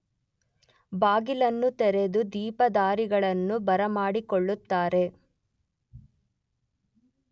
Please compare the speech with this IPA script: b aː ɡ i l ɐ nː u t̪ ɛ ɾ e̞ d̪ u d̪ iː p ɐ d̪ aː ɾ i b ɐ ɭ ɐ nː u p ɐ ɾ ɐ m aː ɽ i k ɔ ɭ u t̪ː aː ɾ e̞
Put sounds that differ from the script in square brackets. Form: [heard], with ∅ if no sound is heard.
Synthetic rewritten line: b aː ɡ i l ɐ nː u t̪ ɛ ɾ e̞ d̪ u d̪ iː p ɐ d̪ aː ɾ i [ɡ] ɐ ɭ ɐ nː u [b] ɐ ɾ ɐ m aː ɽ i k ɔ [ɭː] u t̪ː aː ɾ e̞

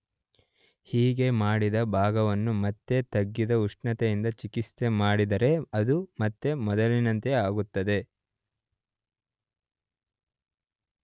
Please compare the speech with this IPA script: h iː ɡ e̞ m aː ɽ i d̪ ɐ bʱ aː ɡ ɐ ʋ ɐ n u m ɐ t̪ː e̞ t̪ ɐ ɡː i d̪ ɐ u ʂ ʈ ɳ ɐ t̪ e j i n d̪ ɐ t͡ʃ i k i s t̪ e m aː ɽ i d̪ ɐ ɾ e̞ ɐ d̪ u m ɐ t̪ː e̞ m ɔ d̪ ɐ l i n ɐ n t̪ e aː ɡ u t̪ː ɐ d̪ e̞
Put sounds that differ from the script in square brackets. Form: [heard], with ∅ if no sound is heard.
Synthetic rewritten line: h iː ɡ e̞ m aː ɽ i d̪ ɐ bʱ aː ɡ ɐ ʋ ɐ [nː] u m ɐ t̪ː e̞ t̪ ɐ ɡː i d̪ ɐ u ʂ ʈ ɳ ɐ t̪ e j i n d̪ ɐ t͡ʃ i k i s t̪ e m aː ɽ i d̪ ɐ ɾ e̞ ɐ d̪ u m ɐ t̪ː e̞ m ɔ d̪ ɐ l i n ɐ n t̪ e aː ɡ u t̪ː ɐ d̪ e̞

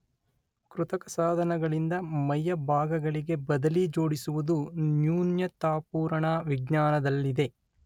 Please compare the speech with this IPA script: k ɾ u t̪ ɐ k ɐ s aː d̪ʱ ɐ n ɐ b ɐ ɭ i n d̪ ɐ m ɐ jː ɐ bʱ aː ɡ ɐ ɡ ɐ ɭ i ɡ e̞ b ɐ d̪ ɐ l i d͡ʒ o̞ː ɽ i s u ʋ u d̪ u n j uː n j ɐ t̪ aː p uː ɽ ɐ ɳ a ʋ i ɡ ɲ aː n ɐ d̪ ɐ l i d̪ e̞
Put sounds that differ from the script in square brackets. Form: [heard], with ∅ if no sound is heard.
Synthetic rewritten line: k ɾ u t̪ ɐ k ɐ s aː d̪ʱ ɐ n ɐ [ɡ] ɐ ɭ i n d̪ ɐ m ɐ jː ɐ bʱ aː ɡ ɐ ɡ ɐ ɭ i ɡ e̞ b ɐ d̪ ɐ l i d͡ʒ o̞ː ɽ i s u ʋ u d̪ u n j uː n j ɐ t̪ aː p uː [ɾ] ɐ ɳ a ʋ i ɡ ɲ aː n ɐ d̪ ɐ [lː] i d̪ e̞

